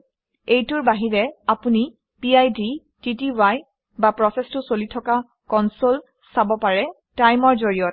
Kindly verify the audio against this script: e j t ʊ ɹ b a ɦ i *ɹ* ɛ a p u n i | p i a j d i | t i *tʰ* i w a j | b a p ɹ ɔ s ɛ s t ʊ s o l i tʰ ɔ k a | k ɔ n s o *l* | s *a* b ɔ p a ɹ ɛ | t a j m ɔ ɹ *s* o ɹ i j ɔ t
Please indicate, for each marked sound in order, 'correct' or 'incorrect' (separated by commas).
correct, incorrect, correct, correct, incorrect